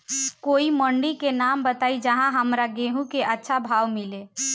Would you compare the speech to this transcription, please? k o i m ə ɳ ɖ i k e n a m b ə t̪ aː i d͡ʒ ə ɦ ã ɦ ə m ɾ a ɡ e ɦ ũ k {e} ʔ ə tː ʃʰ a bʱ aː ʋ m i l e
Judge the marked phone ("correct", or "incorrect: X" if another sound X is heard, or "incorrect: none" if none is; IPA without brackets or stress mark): correct